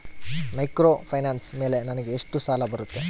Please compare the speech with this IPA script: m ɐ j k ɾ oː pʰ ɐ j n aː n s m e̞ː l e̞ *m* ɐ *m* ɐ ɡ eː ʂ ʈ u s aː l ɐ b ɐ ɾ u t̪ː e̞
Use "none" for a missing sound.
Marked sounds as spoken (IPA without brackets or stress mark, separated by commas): n, n